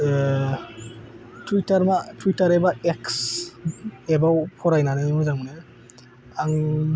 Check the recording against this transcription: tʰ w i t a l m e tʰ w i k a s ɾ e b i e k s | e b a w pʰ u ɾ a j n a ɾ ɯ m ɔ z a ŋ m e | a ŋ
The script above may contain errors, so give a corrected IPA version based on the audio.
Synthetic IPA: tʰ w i t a ɾ m a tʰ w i t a ɾ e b a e k s | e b a w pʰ ɔ ɾ a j n a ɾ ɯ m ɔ z a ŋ n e | a ŋ